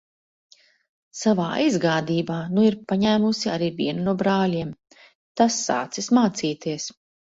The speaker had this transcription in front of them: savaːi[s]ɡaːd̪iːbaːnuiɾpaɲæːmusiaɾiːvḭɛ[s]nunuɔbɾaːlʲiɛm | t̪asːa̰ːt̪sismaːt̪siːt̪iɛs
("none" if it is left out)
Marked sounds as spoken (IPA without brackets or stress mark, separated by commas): z, none